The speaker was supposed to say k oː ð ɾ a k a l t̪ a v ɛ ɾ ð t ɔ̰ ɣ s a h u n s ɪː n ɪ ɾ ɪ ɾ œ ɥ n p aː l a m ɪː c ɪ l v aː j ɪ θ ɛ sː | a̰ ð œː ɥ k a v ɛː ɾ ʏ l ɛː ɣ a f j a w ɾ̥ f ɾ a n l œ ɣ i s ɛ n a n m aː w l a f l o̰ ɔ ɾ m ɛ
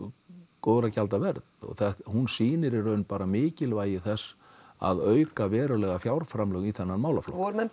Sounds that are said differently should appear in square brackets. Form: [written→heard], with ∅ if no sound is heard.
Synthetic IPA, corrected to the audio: k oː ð ɾ a [k→c] a l t̪ a v ɛ ɾ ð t ɔ̰ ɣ [s→θ] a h u n s [ɪː→iː] n ɪ ɾ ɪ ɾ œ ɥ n p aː [l→ɾ] a m ɪː c ɪ l v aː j ɪ θ ɛ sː | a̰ ð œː ɥ k a v ɛː ɾ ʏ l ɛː ɣ a f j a w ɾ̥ f ɾ a [n→m] l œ ɣ i [s→θ] ɛ [n→nː] a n m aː w l a f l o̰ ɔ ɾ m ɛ

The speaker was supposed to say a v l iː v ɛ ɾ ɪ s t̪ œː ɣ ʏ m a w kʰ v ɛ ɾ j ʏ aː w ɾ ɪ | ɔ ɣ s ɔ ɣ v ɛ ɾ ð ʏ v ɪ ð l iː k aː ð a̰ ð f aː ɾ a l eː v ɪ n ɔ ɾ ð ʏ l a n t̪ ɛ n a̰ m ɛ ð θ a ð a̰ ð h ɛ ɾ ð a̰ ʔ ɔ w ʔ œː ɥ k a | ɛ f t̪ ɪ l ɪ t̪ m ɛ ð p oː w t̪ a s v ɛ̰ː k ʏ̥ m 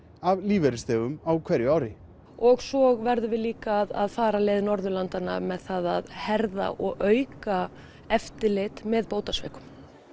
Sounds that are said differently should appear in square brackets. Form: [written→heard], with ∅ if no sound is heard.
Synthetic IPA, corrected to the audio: a v l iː v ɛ ɾ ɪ s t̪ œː ɣ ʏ m a w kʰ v ɛ ɾ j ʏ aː w ɾ ɪ | ɔ ɣ s ɔ ɣ v ɛ ɾ ð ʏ v ɪ ð l iː k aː ð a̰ ð f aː ɾ a l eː [v→ð] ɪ n ɔ ɾ ð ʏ l a n t̪ [ɛ→a] n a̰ m ɛ ð θ a ð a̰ ð h ɛ ɾ ð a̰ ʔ ɔ [w→ɣ] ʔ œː ɥ k a | ɛ f t̪ ɪ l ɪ t̪ m ɛ ð p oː w t̪ a s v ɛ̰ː k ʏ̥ m

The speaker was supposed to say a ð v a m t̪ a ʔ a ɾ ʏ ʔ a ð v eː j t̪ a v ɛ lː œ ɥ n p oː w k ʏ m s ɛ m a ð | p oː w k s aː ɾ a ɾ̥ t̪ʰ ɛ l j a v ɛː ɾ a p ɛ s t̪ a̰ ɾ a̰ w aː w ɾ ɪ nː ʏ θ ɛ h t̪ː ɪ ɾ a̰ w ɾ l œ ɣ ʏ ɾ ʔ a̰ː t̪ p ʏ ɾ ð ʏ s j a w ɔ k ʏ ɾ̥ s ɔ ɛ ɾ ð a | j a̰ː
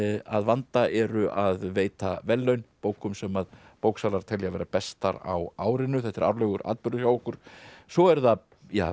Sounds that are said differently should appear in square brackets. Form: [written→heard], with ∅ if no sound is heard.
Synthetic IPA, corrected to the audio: a ð v a [m→n] t̪ a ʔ [a→ɛ] ɾ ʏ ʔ a ð v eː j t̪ a v ɛ lː œ ɥ n p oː w k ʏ m s ɛ m a ð | p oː w k s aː [ɾ→l] a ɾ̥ t̪ʰ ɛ l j a v ɛː ɾ a p ɛ s t̪ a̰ ɾ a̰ w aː w ɾ ɪ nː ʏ θ ɛ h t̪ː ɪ ɾ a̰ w ɾ l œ ɣ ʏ ɾ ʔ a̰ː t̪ p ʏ ɾ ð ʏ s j a w ɔ k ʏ ɾ̥ s ɔ ɛ ɾ ð a | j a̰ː

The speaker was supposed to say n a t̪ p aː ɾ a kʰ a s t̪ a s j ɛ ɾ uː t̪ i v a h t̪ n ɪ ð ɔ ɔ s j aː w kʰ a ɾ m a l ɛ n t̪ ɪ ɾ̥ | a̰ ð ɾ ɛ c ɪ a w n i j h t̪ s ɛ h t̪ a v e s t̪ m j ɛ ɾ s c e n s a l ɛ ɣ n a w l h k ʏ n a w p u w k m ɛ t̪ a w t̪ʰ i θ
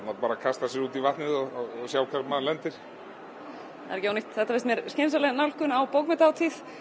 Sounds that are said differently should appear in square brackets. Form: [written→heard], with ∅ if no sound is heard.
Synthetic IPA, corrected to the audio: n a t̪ p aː ɾ a kʰ a s t̪ a s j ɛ ɾ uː t̪ i v a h t̪ n ɪ ð ɔ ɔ s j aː w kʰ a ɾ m a l ɛ n t̪ ɪ ɾ̥ | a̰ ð ɾ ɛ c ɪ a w n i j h t̪ [s→θ] ɛ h t̪ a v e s t̪ m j ɛ ɾ s c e n s a l ɛ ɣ n a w l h k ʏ n a w p [u→o] w k m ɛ t̪ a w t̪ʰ i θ

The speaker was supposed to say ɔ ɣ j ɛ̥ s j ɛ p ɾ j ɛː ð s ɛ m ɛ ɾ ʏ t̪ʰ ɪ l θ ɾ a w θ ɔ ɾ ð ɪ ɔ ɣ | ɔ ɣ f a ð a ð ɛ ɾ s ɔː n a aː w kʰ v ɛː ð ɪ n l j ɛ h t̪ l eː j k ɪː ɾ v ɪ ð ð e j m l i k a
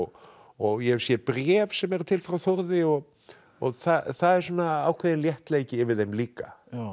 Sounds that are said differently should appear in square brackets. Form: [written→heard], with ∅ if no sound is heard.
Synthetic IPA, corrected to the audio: ɔ ɣ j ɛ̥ s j ɛ p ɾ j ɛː [ð→v] s ɛ m ɛ ɾ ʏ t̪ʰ ɪ l [θ→f] ɾ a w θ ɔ ɾ ð ɪ ɔ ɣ | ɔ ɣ [f→θ] a [ð→θ] a ð ɛ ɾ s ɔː n a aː w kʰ v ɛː ð ɪ n l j ɛ h t̪ l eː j [k→c] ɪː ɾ v ɪ ð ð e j m l [i→iː] k a

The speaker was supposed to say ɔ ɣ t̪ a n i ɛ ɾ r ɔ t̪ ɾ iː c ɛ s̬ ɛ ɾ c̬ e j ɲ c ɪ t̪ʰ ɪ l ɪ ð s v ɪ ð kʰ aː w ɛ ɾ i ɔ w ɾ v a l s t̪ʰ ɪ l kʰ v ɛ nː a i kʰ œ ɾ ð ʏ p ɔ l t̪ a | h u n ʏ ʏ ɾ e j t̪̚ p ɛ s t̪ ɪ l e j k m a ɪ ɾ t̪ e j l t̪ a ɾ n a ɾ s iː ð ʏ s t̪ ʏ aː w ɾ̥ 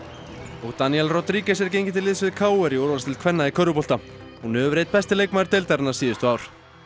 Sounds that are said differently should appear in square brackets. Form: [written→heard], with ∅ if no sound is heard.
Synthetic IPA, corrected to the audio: ɔ ɣ t̪ a n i ɛ [ɾ→l] r ɔ t̪ ɾ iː c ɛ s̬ ɛ ɾ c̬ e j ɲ c ɪ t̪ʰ ɪ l ɪ ð s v ɪ ð kʰ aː w ɛ ɾ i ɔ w ɾ v a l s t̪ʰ ɪ l kʰ v ɛ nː a i kʰ œ ɾ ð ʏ p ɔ l t̪ a | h u n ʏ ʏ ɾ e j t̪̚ p ɛ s t̪ ɪ l e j k m a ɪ ɾ t̪ e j l t̪ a ɾ n a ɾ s iː ð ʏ s t̪ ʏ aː w ɾ̥

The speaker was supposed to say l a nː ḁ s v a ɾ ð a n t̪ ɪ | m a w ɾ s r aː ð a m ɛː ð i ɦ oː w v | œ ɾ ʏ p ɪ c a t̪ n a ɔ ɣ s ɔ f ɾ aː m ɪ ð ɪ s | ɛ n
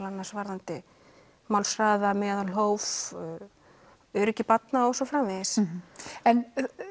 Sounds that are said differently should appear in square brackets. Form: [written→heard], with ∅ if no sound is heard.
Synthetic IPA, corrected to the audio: l a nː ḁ s v a ɾ ð a n t̪ ɪ | m a w [ɾ→l] s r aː ð a m ɛː ð [i→a] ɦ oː w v | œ ɾ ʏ [p→c] ɪ [c→p] a t̪ n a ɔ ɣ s ɔ f ɾ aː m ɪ ð ɪ s | ɛ n

